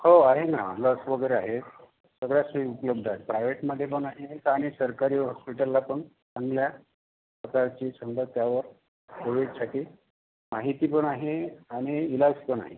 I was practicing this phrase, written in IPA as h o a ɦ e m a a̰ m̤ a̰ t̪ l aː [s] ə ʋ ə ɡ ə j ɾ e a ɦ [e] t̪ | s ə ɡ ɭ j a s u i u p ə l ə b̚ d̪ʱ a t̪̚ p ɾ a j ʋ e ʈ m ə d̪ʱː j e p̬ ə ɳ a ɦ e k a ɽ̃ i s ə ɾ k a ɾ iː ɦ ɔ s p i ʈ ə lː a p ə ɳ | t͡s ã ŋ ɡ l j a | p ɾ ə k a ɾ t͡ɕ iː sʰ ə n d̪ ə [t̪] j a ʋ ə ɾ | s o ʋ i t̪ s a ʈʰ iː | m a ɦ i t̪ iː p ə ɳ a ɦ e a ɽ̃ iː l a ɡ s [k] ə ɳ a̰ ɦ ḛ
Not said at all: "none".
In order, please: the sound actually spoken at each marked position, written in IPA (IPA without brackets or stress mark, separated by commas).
s, e, t̪, p